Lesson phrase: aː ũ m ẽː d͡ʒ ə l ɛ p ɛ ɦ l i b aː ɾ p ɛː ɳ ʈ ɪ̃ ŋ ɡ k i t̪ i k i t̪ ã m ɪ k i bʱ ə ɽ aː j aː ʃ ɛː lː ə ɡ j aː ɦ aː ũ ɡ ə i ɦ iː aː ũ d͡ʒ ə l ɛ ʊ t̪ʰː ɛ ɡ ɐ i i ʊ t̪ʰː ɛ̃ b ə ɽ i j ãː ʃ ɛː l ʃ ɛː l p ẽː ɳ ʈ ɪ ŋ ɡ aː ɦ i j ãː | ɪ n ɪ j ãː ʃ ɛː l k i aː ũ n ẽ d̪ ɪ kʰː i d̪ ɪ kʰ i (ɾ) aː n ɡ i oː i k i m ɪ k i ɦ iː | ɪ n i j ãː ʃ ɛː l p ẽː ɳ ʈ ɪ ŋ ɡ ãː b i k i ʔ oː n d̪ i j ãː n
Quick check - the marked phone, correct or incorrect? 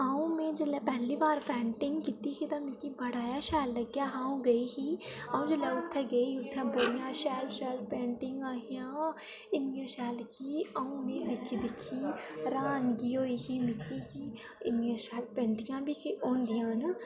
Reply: correct